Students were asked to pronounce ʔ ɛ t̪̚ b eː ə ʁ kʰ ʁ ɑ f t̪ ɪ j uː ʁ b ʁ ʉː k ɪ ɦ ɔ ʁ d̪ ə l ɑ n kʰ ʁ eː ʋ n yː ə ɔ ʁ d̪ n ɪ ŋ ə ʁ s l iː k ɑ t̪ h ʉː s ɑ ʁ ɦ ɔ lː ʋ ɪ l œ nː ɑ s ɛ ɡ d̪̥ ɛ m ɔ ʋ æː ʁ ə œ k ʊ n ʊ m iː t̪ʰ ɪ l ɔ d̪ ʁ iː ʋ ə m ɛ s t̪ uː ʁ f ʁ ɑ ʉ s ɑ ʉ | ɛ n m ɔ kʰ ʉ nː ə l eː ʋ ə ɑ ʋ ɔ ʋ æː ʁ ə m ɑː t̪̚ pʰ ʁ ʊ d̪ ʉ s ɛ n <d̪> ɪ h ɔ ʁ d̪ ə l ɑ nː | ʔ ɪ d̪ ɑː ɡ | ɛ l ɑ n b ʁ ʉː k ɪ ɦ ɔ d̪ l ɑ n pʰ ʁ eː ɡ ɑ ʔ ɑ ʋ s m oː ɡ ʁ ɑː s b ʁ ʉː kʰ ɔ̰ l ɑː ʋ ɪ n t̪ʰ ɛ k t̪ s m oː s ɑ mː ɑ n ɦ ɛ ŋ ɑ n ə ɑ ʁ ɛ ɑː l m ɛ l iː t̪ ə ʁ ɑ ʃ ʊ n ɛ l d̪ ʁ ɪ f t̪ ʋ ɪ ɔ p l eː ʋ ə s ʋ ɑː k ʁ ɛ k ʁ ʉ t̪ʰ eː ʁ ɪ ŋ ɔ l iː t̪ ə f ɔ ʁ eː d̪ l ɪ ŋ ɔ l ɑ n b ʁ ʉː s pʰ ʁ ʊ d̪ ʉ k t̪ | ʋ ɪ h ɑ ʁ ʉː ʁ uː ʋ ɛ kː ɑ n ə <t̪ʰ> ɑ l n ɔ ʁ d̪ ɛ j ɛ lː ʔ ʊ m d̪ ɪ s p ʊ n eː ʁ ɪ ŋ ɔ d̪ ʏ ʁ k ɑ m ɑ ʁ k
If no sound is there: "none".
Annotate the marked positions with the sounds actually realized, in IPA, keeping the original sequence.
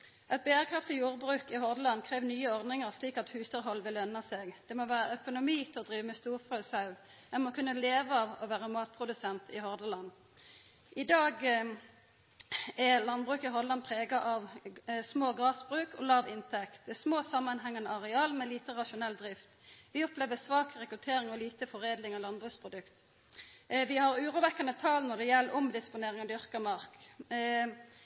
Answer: t̪, t̪ʰ

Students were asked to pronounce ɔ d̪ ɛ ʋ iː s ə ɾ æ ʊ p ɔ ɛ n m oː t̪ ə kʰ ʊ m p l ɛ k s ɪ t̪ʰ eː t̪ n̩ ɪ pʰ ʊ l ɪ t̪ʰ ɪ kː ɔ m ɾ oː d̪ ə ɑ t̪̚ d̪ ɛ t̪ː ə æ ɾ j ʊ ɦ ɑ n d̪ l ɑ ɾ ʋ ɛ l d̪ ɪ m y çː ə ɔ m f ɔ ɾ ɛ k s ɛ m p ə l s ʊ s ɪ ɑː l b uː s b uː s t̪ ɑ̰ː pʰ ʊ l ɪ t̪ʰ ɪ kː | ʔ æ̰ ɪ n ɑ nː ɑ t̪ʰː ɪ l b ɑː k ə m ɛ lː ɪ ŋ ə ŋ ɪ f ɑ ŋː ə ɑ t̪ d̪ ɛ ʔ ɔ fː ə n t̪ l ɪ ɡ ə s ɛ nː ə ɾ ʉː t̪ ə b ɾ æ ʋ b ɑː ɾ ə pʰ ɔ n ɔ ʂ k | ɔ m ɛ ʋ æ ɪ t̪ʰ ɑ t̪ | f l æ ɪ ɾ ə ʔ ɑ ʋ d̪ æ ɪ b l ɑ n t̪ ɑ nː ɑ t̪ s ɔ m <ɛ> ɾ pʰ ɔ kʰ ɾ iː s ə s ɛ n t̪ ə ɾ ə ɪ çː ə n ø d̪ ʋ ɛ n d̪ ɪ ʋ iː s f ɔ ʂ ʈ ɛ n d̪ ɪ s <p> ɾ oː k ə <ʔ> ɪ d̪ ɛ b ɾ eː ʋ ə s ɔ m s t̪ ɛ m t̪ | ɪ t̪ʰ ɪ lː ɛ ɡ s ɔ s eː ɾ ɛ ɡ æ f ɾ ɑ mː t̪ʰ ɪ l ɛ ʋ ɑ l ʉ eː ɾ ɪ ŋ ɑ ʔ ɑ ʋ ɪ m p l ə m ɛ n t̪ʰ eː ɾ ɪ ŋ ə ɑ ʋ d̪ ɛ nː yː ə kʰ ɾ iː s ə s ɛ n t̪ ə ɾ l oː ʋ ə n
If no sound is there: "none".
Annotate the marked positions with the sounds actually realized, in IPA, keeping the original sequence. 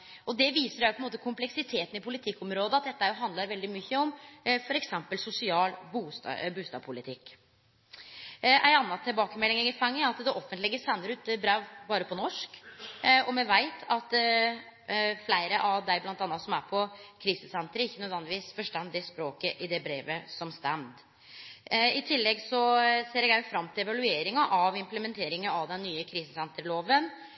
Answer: æ, p, ʔ

